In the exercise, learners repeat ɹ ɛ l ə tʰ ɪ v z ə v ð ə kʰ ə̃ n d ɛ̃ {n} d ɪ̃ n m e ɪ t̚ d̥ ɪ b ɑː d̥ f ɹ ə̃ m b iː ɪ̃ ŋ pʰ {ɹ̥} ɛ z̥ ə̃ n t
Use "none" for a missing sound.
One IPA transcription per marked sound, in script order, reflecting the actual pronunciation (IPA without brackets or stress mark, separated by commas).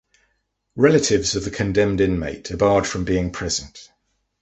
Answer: m, ɹ̥